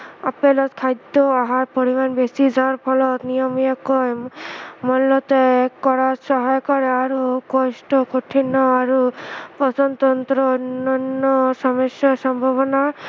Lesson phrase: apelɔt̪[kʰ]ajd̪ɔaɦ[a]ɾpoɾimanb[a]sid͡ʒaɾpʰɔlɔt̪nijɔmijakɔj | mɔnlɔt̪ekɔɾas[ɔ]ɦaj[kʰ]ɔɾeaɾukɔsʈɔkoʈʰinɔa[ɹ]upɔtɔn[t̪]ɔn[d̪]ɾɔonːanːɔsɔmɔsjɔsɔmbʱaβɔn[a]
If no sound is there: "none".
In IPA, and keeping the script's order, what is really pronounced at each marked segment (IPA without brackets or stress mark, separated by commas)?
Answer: kʰ, a, e, ɔ, k, ɾ, t̪, t̪, a